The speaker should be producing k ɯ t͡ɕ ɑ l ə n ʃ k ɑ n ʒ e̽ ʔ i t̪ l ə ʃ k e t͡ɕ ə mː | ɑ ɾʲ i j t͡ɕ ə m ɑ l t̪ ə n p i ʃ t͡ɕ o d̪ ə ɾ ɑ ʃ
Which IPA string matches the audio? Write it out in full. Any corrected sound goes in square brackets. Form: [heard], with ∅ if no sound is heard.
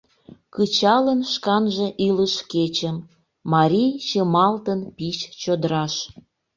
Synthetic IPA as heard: k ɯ t͡ɕ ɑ l ə n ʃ k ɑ n ʒ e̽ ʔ i [∅] l ə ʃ k e t͡ɕ ə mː | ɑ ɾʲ i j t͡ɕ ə m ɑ l t̪ ə n p i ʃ t͡ɕ o d̪ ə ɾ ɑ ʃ